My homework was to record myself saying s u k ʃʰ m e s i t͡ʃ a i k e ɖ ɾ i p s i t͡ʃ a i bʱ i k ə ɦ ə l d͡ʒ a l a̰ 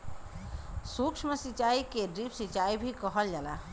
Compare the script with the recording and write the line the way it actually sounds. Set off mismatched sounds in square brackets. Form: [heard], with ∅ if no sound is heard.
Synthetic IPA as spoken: s u k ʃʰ m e s i t͡ʃ a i k e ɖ ɾ i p s i t͡ʃ a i bʱ i k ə ɦ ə l d͡ʒ a l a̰